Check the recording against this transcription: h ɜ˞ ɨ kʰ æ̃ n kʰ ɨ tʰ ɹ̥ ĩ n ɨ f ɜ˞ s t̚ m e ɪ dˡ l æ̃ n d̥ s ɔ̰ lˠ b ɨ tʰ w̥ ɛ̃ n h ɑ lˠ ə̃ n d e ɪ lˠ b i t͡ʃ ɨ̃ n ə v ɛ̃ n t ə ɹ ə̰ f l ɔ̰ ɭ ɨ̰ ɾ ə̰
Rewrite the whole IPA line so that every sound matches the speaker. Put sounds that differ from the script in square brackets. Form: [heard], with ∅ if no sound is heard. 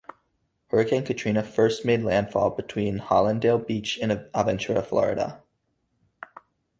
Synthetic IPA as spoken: h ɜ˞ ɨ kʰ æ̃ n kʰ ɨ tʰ ɹ̥ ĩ n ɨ f ɜ˞ s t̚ m e ɪ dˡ l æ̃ n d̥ [f] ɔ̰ lˠ b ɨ tʰ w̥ [ĩ] n h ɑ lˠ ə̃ n d e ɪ lˠ b i t͡ʃ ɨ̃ n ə v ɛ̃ n [t͡ʃ] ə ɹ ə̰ f l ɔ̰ [ɹ] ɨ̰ ɾ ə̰